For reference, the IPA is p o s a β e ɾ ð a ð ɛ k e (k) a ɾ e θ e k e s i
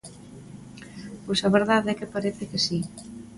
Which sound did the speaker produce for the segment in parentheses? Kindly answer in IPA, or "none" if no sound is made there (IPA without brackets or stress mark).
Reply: p